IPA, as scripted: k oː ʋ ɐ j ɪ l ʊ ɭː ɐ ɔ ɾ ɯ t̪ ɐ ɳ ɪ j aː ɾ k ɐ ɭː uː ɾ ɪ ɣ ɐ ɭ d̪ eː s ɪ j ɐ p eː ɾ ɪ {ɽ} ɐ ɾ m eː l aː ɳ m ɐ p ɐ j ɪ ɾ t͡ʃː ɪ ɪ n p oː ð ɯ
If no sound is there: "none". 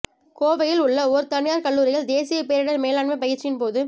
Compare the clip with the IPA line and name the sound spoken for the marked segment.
ɽ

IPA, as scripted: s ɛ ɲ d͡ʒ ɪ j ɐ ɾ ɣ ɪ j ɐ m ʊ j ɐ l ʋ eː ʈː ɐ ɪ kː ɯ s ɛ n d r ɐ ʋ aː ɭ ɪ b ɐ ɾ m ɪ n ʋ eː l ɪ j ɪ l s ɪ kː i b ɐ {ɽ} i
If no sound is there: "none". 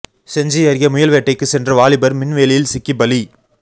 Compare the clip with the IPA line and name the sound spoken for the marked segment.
l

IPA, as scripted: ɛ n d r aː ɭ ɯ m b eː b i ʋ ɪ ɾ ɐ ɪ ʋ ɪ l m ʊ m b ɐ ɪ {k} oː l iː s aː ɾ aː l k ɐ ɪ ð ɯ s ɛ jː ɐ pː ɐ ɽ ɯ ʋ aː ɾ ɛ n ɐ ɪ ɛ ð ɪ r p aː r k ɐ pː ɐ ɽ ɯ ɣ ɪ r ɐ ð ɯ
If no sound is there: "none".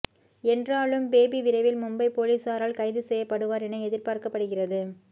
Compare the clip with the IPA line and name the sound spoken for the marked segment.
p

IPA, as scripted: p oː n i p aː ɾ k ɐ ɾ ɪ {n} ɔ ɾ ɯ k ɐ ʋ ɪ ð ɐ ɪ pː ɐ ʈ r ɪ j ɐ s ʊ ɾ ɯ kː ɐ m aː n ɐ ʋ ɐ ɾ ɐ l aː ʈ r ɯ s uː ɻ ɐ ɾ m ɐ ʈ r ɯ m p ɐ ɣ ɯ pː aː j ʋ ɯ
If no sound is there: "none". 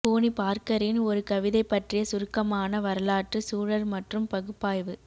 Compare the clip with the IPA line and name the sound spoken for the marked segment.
n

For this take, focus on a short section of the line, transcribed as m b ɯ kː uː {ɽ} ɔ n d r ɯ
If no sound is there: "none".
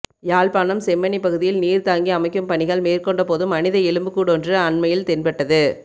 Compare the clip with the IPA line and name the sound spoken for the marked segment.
ɽ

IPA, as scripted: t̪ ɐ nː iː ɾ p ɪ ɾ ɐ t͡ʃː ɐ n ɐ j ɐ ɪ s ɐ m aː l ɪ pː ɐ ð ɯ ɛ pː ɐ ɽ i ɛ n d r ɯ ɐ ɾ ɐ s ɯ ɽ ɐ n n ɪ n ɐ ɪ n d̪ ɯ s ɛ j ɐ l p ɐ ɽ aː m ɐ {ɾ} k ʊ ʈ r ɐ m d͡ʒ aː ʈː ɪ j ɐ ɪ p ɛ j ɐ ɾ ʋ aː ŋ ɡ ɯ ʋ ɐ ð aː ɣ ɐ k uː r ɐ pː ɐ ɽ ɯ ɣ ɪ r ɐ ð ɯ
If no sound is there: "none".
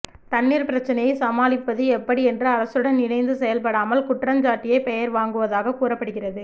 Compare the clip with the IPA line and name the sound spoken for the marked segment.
l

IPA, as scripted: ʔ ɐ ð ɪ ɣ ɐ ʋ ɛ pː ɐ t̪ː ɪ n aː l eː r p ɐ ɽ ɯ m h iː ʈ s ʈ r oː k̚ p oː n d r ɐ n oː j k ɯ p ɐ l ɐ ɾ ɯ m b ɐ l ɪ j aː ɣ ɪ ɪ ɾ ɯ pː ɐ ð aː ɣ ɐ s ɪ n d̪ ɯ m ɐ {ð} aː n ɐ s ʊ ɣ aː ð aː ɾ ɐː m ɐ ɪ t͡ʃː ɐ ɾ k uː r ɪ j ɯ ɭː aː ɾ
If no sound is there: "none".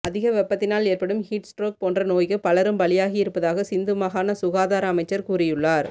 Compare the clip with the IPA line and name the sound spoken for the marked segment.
ɣ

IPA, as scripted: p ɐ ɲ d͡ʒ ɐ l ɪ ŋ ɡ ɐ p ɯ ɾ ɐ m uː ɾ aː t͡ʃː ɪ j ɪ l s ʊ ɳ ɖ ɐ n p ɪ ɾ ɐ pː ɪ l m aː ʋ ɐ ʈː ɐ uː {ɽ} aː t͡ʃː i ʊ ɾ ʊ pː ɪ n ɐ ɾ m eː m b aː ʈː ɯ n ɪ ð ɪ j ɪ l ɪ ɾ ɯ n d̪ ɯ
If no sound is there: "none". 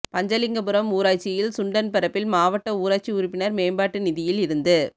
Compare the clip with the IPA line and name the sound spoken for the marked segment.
ɾ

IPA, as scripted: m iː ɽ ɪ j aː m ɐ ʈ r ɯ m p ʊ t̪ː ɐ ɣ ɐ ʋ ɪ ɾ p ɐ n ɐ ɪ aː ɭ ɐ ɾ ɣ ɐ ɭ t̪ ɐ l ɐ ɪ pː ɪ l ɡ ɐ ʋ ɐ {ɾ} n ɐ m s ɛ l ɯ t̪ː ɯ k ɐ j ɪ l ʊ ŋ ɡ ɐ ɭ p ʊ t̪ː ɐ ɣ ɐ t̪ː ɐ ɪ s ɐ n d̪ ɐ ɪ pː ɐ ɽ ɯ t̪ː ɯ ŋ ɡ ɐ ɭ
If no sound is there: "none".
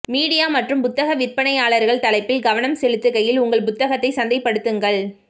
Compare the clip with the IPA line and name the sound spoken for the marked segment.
none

